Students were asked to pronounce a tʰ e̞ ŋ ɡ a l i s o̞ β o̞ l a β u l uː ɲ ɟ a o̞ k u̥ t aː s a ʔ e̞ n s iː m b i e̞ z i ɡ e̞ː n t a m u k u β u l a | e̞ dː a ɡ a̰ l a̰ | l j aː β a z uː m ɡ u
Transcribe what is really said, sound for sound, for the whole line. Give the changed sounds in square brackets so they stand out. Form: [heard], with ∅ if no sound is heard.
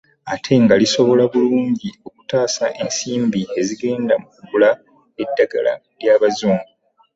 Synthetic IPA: a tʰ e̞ ŋ ɡ a l i s o̞ β o̞ l a β u l uː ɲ ɟ [i] o̞ k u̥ t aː s a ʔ e̞ n s iː m b i e̞ z i ɡ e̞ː n [d] a m u k u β u l a | e̞ dː a ɡ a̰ l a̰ | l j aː β a z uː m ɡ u